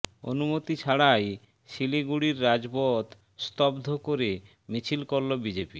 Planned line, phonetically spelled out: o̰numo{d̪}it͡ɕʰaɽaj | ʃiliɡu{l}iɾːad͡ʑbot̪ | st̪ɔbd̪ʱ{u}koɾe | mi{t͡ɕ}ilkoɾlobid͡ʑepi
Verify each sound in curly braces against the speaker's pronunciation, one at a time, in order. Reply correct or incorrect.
incorrect, incorrect, incorrect, incorrect

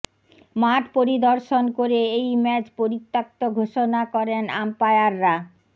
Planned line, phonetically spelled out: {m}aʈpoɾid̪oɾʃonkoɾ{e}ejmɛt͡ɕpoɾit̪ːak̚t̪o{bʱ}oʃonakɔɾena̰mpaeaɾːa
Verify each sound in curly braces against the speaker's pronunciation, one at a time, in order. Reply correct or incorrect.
correct, correct, incorrect

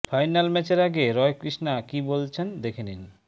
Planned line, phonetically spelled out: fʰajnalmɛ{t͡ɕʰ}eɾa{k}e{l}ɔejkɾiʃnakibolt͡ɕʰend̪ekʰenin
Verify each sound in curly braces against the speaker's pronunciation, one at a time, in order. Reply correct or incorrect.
incorrect, incorrect, incorrect

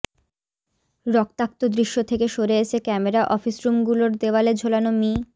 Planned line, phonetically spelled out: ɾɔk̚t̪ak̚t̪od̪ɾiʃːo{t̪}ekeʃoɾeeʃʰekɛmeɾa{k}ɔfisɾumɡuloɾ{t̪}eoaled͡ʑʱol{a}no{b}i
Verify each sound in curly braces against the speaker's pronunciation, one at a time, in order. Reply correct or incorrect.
incorrect, incorrect, incorrect, correct, incorrect

